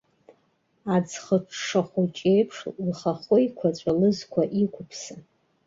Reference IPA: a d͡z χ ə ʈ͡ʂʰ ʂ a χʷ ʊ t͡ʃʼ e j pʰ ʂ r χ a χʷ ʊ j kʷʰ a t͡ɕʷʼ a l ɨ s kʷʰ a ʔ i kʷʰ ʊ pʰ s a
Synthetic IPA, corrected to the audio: a d͡z χ ə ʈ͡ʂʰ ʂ a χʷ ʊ t͡ʃʼ e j pʰ ʂ l χ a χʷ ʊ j kʷʰ a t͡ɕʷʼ a l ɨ z kʷʰ a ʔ i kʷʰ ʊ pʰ s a